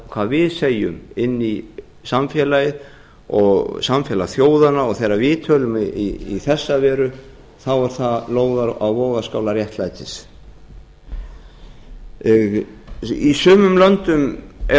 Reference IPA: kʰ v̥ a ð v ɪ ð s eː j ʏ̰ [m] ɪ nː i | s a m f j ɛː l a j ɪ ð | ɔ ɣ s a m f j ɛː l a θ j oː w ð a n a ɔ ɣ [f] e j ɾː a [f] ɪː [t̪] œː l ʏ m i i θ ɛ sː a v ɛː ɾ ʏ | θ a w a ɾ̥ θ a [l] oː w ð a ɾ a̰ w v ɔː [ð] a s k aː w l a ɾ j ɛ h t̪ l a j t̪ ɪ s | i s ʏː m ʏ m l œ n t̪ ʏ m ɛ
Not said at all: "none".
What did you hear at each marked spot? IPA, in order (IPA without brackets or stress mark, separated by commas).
m, θ, v, t̪ʰ, l, ɣ